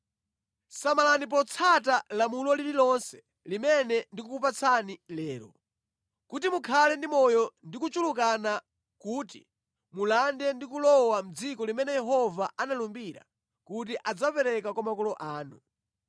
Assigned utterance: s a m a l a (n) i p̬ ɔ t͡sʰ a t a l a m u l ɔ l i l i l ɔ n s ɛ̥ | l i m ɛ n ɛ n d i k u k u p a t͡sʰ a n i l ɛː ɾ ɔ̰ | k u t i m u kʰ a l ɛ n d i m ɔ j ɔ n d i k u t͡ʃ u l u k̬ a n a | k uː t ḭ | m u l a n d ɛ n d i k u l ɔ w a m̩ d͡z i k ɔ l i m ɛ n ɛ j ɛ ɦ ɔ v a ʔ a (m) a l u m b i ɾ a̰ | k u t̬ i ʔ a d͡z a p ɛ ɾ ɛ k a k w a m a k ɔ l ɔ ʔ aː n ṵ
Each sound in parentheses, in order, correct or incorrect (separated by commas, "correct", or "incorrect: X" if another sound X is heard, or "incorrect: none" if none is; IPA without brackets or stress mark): correct, incorrect: n